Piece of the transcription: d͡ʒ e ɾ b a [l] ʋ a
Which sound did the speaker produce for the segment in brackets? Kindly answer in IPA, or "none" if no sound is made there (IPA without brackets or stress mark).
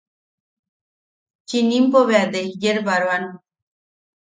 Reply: ɾ